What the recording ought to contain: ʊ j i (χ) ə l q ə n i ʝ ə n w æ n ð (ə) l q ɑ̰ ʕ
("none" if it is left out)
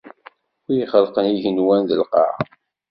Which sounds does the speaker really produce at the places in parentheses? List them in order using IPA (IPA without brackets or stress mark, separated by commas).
χ, ə